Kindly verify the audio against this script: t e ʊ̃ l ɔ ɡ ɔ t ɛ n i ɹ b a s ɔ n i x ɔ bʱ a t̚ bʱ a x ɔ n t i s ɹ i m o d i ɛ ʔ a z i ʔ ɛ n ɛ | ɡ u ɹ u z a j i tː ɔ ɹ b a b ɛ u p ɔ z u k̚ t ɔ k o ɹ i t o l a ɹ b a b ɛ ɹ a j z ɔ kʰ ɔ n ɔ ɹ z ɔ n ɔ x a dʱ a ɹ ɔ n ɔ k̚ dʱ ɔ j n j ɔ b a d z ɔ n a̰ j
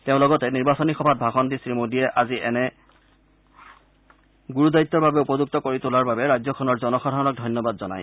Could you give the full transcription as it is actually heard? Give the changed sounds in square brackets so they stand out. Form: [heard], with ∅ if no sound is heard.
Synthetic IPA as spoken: t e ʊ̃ l ɔ ɡ ɔ t ɛ n i ɹ b a s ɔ n i x ɔ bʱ a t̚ bʱ a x ɔ n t i s ɹ i m o d i ɛ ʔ a z i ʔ ɛ n ɛ | ɡ u ɹ u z a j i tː ɔ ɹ b a b ɛ u p ɔ z u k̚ t ɔ k o ɹ i t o l a ɹ b a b ɛ ɹ a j z ɔ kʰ ɔ n ɔ ɹ z ɔ n ɔ x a dʱ a ɹ ɔ n ɔ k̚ dʱ ɔ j n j ɔ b a d z ɔ n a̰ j